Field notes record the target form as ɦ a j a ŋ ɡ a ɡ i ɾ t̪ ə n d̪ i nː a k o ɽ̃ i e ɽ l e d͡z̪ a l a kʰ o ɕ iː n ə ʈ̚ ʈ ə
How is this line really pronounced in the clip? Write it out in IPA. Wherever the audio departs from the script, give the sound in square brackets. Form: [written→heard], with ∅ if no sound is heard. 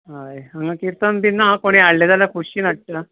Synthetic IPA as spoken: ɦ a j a ŋ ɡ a [ɡ→k] i ɾ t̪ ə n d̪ i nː a k o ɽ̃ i [e→a] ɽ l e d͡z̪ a l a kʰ [o→u] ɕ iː n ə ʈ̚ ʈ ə